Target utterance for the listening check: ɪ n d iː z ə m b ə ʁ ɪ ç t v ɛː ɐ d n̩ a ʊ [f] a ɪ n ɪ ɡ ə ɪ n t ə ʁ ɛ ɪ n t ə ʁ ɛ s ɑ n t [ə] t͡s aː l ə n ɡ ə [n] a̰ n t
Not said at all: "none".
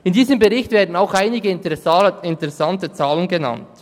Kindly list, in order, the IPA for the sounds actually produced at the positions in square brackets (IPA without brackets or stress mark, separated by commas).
x, ə, n